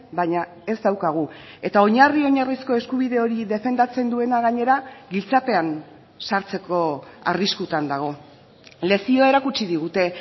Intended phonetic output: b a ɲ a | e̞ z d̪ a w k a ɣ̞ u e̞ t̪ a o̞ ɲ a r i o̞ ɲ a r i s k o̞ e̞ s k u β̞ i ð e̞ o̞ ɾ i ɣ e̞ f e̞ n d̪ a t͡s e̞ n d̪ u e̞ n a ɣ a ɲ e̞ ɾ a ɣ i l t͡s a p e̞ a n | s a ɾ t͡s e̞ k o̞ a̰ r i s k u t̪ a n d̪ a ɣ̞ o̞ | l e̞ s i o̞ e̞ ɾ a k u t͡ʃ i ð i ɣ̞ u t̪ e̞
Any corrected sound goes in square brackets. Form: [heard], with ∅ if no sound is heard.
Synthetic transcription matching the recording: b a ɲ a | e̞ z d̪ a w k a ɣ̞ u e̞ t̪ a o̞ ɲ a r i o̞ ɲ a r i s k o̞ e̞ s k u β̞ i ð e̞ o̞ ɾ i [ð] e̞ f e̞ n d̪ a t͡s e̞ n d̪ u e̞ n a ɣ a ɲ e̞ ɾ a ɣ i l t͡s a p e̞ a n | s a ɾ t͡s e̞ k o̞ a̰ r i s k u t̪ a n d̪ a ɣ̞ o̞ | l e̞ s i o̞ e̞ ɾ a k u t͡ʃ i ð i ɣ̞ u t̪ e̞

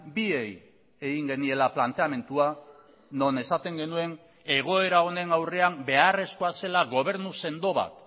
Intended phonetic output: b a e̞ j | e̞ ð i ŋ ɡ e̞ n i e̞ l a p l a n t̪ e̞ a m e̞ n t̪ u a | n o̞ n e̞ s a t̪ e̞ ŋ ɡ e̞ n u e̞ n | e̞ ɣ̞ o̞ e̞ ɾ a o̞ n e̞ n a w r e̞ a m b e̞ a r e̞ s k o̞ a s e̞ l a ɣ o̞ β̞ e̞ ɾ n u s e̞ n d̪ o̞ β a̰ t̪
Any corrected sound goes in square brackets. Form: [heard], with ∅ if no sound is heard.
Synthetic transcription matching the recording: b [i] e̞ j | e̞ [ɣ] i ŋ ɡ e̞ n i e̞ l a p l a n t̪ e̞ a m e̞ n t̪ u a | n o̞ n e̞ s a t̪ e̞ ŋ ɡ e̞ n u e̞ n | e̞ ɣ̞ o̞ e̞ ɾ a o̞ n e̞ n a w r e̞ a m b e̞ a r e̞ s k o̞ a s e̞ l a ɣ o̞ β̞ e̞ ɾ n u s e̞ n d̪ o̞ β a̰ t̪

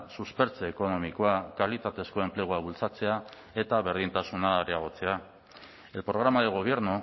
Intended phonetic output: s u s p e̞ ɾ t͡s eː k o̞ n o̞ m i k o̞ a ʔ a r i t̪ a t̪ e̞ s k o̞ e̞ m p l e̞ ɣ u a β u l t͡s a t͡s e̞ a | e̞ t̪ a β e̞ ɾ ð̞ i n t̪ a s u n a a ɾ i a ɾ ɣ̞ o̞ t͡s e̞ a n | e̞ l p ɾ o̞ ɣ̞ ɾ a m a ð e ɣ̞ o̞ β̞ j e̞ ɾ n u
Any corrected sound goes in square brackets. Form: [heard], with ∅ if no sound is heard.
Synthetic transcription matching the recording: s u s p e̞ ɾ t͡s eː k o̞ n o̞ m i k o̞ a [k] a [l] i t̪ a t̪ e̞ s k o̞ e̞ m p l e̞ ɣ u a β u l t͡s a t͡s e̞ a | e̞ t̪ a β e̞ ɾ ð̞ i n t̪ a s u n a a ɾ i a [∅] ɣ̞ o̞ t͡s e̞ a [∅] | e̞ l p ɾ o̞ ɣ̞ ɾ a m a ð e ɣ̞ o̞ β̞ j e̞ ɾ n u

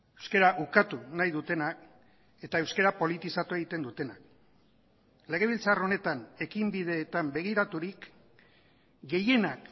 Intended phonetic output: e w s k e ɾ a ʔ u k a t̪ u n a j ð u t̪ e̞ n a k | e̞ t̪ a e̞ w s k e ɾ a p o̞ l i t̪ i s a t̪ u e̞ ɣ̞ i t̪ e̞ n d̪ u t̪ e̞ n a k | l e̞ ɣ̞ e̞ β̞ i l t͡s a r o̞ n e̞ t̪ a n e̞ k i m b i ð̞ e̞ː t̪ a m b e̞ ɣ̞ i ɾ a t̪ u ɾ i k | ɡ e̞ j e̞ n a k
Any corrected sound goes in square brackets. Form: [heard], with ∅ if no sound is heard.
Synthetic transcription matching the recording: e w s k e ɾ a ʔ u k a t̪ u n a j ð u t̪ e̞ n a k | e̞ t̪ a e̞ w s k e ɾ a p o̞ l i t̪ i s a t̪ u e̞ ɣ̞ i t̪ e̞ n d̪ u t̪ e̞ n a k | l e̞ ɣ̞ e̞ β̞ i l t͡s a r o̞ n e̞ t̪ a n e̞ k i m b i ð̞ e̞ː t̪ a m b e̞ ɣ̞ i ɾ a t̪ u ɾ i k | ɡ e̞ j e̞ n a k

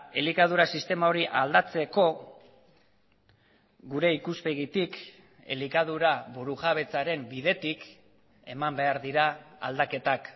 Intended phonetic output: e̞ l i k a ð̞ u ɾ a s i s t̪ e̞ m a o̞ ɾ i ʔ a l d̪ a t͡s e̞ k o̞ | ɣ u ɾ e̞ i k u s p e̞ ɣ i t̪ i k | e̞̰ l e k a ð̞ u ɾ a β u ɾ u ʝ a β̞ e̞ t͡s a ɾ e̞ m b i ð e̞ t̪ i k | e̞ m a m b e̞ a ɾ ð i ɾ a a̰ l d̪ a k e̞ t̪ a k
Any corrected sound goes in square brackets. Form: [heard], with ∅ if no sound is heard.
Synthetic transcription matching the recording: e̞ l i k a ð̞ u ɾ a s i s t̪ e̞ m a o̞ ɾ i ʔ a l d̪ a t͡s e̞ k o̞ | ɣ u ɾ e̞ i k u s p e̞ ɣ i t̪ i k | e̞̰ l [i] k a ð̞ u ɾ a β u ɾ u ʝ a β̞ e̞ t͡s a ɾ e̞ m b i ð e̞ t̪ i k | e̞ m a m b e̞ a ɾ ð i ɾ a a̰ l d̪ a k e̞ t̪ a k

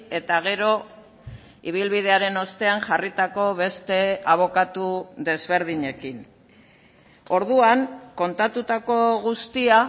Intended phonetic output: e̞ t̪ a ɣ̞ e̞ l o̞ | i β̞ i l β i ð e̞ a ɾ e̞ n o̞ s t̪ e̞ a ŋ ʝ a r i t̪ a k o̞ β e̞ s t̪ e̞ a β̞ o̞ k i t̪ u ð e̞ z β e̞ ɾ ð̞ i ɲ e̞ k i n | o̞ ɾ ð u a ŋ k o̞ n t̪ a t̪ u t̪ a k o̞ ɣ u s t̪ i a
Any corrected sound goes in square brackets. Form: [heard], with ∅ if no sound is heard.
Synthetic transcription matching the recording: e̞ t̪ a ɣ̞ e̞ [ɾ] o̞ | i β̞ i l β i ð e̞ a ɾ e̞ n o̞ s t̪ e̞ a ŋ ʝ a r i t̪ a k o̞ β e̞ s t̪ e̞ a β̞ o̞ k [a] t̪ u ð e̞ z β e̞ ɾ ð̞ i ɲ e̞ k i n | o̞ ɾ ð u a ŋ k o̞ n t̪ a t̪ u t̪ a k o̞ ɣ u s t̪ i a

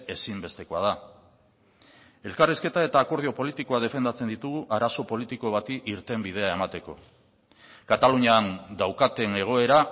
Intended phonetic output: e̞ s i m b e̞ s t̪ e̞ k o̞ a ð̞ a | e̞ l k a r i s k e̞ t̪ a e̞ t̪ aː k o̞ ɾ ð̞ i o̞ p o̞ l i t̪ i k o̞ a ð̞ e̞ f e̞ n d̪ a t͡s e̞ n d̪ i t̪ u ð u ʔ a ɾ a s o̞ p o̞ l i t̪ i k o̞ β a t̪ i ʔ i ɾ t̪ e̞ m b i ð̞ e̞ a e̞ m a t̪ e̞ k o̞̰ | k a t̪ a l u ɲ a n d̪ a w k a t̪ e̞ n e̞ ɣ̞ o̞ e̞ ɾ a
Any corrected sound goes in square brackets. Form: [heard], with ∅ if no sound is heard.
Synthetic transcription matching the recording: e̞ s i m b e̞ s t̪ e̞ k o̞ a ð̞ a | e̞ l k a r i s k e̞ t̪ a e̞ t̪ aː k o̞ ɾ ð̞ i o̞ p o̞ l i t̪ i k o̞ a ð̞ e̞ f e̞ n d̪ a t͡s e̞ n d̪ i t̪ u [ɣ] u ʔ a ɾ a s o̞ p o̞ l i t̪ i k o̞ β a t̪ i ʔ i ɾ t̪ e̞ m b i ð̞ e̞ a e̞ m a t̪ e̞ k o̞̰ | k a t̪ a l u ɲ a n d̪ a w k a t̪ e̞ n e̞ ɣ̞ o̞ e̞ ɾ a

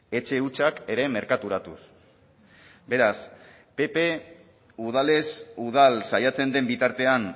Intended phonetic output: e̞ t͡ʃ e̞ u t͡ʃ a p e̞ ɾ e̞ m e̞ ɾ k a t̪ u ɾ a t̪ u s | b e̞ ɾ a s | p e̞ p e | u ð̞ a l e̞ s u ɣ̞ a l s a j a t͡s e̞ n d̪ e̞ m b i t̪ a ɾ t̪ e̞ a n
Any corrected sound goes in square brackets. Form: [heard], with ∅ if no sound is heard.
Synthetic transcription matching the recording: e̞ t͡ʃ e̞ u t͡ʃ a [k] e̞ ɾ e̞ m e̞ ɾ k a t̪ u ɾ a t̪ u s | b e̞ ɾ a s | p e̞ p e | u ð̞ a l e̞ s u [ð̞] a l s a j a t͡s e̞ n d̪ e̞ m b i t̪ a ɾ t̪ e̞ a n

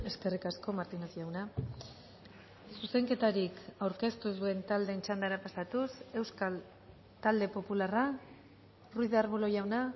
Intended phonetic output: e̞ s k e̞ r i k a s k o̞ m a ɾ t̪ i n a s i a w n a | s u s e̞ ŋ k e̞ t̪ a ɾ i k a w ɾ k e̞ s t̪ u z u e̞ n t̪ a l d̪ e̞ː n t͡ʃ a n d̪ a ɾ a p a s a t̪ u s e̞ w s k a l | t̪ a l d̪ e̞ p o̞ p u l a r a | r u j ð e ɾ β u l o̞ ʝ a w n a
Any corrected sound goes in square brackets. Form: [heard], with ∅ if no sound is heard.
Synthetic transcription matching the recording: e̞ s k e̞ r i k a s k o̞ m a ɾ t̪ i n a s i a w n a | s u s e̞ ŋ k e̞ t̪ a ɾ i k a w ɾ k e̞ s t̪ u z u e̞ n t̪ a l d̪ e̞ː n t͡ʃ a n d̪ a ɾ a p a s a t̪ u s e̞ w s k a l | t̪ a l d̪ e̞ p o̞ p u l a r a | r u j ð [a] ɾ β u l o̞ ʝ a w n a

